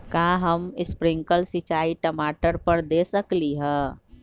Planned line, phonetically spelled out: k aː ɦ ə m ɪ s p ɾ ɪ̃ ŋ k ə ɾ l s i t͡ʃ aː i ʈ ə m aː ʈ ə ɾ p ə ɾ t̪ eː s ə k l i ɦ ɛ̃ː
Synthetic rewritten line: k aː ɦ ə m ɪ s p ɾ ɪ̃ ŋ k ə l s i t͡ʃ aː i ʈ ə m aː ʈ ə ɾ p ə ɾ d̪ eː s ə k l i ɦ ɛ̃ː

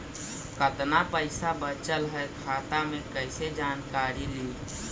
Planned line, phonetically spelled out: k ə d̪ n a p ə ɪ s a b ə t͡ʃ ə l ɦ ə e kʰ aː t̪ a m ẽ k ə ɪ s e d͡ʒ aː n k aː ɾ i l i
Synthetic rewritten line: k ə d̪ n a p ə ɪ s a b ə t͡ʃ ə l ɦ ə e kʰ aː t̪ a m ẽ k ə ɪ s e d͡ʒ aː n k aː ɾ i l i

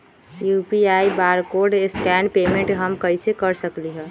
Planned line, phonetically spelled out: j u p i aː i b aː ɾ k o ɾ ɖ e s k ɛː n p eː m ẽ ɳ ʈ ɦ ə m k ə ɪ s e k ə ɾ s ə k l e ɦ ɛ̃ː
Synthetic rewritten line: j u p i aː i b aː ɾ k o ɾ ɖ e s k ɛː n p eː m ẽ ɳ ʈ ɦ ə m k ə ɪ s e k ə ɾ s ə k l i ɦ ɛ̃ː

